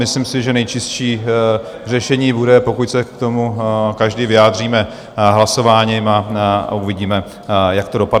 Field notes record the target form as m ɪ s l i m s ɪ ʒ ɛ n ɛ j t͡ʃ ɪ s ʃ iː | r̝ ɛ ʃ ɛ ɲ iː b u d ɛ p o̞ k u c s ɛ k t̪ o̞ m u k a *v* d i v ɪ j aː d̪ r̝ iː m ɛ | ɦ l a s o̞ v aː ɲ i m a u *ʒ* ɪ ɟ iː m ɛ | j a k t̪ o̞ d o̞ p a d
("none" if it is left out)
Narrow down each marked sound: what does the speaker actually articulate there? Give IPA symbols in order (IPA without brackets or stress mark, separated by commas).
ʒ, v